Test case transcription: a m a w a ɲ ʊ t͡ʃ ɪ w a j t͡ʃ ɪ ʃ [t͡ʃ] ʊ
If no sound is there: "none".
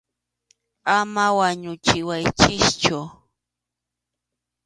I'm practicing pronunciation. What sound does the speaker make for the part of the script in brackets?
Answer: t͡ʃ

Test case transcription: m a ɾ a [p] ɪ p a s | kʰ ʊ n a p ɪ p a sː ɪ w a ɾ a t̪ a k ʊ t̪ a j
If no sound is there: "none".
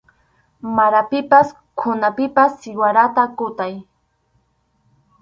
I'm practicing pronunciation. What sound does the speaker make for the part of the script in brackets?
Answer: p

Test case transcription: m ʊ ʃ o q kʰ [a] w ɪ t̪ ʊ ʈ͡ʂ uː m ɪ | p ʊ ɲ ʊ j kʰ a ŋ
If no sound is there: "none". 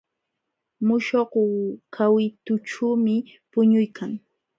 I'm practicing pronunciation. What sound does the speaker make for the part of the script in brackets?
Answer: a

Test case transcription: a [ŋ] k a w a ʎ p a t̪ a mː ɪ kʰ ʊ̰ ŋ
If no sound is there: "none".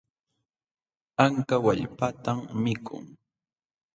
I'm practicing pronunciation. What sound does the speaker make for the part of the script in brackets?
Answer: ŋ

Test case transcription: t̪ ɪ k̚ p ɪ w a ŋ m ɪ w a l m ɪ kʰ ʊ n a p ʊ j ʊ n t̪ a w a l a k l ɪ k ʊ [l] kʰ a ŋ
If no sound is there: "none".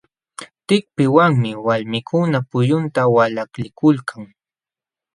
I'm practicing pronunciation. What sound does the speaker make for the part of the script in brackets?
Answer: l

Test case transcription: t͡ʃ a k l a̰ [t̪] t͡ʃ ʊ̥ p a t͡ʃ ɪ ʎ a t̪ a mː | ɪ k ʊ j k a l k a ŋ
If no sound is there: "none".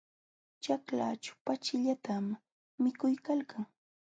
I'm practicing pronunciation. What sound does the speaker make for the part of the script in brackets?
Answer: none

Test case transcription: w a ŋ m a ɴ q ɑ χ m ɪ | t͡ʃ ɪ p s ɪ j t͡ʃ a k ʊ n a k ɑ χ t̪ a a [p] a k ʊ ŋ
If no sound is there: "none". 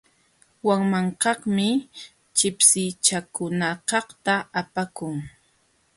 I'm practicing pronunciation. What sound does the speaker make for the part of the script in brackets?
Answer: p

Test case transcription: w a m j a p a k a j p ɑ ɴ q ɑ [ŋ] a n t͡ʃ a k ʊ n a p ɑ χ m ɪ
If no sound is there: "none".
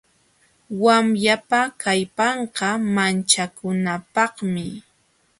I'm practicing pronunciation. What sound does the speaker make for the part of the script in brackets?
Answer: m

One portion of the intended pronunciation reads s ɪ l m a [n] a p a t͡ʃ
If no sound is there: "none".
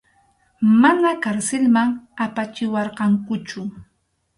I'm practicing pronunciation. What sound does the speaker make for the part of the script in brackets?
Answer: ŋ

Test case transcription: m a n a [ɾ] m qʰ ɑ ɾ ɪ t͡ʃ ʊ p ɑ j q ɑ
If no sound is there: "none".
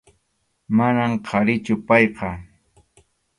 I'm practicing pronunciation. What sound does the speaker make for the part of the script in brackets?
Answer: none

